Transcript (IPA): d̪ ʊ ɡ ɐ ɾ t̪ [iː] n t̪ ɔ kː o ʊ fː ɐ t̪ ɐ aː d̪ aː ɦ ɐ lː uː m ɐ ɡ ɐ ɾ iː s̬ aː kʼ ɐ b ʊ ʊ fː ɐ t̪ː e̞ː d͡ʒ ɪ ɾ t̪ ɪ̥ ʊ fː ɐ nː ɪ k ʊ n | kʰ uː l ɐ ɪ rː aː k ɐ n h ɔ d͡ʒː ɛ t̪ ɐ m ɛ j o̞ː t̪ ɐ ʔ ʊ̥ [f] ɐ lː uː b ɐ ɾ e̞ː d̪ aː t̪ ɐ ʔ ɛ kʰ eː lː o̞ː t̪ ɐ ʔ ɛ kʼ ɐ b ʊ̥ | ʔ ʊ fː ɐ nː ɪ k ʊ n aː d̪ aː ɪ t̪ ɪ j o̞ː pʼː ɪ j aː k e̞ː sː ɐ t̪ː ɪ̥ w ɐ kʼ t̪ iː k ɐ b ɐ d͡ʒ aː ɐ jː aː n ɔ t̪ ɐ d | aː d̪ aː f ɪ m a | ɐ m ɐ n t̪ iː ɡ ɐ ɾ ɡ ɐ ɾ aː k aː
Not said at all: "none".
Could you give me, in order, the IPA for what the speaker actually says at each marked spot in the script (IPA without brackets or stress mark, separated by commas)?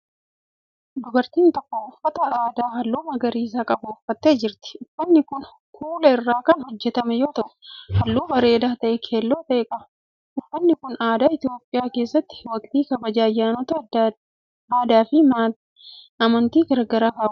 iː, h